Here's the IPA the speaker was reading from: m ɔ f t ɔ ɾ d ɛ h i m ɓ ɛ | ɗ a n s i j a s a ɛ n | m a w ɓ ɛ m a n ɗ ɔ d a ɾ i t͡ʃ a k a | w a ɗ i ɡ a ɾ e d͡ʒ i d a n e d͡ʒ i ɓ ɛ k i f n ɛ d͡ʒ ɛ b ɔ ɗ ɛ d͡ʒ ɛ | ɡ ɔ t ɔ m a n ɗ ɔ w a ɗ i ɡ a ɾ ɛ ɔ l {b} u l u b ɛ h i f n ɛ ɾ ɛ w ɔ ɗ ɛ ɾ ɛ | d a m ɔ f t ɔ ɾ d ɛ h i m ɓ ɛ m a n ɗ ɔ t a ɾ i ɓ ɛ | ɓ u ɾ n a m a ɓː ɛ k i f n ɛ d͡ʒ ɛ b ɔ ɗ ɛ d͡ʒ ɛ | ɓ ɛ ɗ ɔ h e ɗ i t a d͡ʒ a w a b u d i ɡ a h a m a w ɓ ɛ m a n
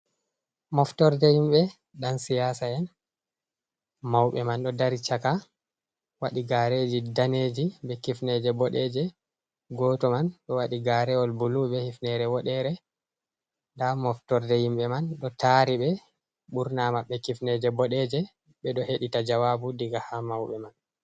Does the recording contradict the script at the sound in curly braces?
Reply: no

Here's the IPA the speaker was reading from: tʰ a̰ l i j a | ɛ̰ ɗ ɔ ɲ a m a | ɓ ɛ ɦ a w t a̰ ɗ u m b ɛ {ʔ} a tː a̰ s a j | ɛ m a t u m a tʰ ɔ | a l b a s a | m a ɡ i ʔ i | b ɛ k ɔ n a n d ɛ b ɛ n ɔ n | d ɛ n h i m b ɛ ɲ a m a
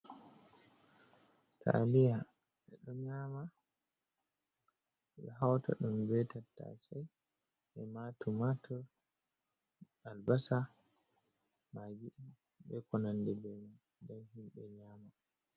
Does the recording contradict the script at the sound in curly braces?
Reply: yes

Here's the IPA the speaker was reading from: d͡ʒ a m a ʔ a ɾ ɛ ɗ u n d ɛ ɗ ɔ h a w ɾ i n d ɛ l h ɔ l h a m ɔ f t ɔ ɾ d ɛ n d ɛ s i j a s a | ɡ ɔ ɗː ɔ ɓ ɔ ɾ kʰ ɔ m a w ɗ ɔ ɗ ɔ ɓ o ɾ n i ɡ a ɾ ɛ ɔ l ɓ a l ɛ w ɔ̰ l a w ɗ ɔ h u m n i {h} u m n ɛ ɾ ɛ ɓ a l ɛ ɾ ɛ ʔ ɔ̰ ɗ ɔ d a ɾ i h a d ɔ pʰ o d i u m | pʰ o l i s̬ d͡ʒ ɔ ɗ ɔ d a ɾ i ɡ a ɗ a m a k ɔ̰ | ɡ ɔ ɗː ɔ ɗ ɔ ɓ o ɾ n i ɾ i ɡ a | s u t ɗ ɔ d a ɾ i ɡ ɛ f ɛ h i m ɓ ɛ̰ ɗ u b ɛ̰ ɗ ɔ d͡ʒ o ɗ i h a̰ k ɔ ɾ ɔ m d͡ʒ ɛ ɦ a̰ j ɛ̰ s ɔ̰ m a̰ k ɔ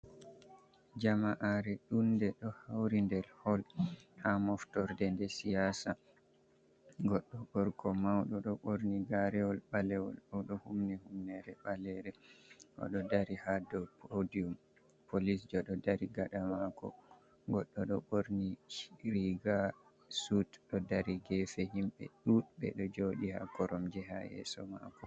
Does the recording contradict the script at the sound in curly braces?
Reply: no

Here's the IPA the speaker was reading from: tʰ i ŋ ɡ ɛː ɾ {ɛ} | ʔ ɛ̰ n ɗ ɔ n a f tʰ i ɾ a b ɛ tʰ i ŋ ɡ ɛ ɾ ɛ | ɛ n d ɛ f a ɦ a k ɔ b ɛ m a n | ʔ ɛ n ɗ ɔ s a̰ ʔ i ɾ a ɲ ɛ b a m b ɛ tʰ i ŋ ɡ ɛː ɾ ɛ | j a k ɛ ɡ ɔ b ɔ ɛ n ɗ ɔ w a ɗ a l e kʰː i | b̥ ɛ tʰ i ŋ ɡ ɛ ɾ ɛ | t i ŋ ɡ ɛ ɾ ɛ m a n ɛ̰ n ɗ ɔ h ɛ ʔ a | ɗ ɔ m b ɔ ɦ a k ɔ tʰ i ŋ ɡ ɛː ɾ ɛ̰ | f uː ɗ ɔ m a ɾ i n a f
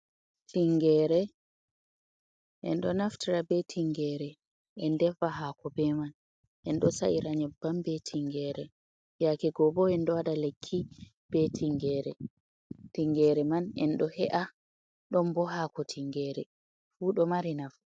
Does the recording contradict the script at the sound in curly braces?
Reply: no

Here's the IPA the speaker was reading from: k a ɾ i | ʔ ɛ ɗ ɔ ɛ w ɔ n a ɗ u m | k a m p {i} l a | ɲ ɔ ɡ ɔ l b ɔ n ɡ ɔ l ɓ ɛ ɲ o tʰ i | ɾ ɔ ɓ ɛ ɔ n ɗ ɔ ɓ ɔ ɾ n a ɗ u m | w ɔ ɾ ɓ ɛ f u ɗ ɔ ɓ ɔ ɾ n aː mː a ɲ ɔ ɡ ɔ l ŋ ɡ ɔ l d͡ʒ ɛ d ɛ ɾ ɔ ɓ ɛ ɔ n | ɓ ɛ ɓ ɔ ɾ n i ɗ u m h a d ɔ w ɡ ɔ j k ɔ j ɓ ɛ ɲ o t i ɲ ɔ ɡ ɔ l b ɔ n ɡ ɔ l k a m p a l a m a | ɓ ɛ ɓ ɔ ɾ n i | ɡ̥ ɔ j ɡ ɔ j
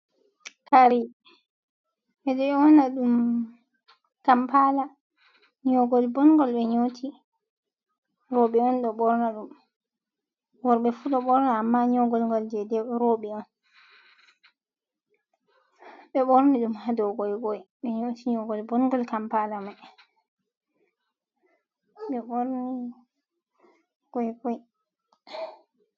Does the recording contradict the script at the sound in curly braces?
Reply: yes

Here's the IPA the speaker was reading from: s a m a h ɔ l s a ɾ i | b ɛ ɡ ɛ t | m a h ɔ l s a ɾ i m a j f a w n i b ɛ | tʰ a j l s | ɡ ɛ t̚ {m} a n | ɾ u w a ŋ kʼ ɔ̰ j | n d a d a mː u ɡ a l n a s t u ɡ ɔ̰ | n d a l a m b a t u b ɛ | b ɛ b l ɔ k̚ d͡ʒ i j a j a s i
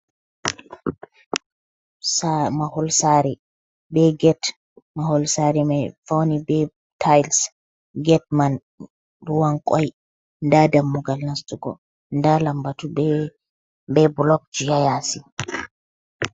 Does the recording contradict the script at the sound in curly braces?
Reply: no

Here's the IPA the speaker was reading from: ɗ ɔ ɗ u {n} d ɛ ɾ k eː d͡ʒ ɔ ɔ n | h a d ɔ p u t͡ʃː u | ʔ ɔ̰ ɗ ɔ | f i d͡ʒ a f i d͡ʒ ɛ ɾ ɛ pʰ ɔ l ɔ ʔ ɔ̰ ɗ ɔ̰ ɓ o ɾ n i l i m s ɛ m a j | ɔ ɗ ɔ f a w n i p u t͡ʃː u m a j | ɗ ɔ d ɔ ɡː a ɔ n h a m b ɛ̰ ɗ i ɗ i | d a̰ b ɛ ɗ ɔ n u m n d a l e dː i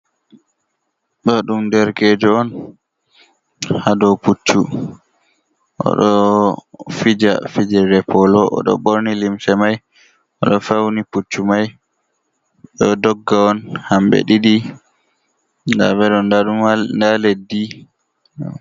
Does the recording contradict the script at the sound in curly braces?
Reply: yes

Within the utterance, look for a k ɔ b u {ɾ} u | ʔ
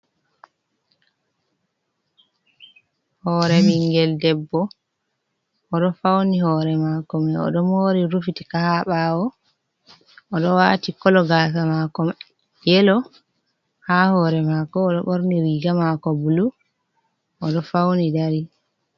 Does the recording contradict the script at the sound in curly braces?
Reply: yes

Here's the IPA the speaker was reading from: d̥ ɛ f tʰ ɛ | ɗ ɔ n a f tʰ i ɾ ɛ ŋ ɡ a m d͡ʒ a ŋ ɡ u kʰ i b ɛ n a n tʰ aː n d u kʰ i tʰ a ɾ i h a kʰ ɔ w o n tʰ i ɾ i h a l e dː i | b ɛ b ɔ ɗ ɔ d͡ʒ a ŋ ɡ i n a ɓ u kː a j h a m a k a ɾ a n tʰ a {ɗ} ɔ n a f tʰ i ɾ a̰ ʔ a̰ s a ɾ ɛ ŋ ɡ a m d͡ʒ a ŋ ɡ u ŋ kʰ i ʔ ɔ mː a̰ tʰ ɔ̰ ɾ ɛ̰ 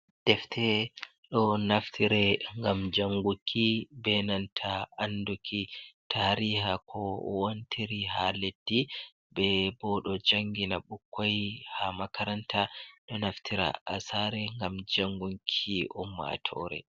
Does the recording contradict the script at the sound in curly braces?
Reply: no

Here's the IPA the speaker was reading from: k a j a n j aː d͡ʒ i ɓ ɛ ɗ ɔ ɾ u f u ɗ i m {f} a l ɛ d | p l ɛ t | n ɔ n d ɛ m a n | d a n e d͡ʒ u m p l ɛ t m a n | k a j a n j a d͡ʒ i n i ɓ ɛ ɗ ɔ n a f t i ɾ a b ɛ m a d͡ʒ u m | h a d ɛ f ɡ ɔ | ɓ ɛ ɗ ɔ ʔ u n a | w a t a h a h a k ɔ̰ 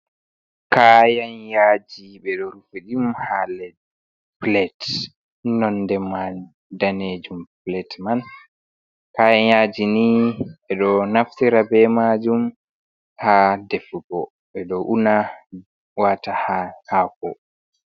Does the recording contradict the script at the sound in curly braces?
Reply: yes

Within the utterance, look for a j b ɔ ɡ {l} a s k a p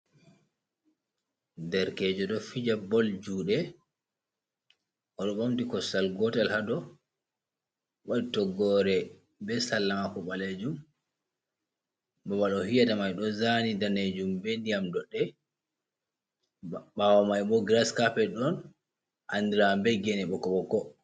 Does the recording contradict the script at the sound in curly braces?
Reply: yes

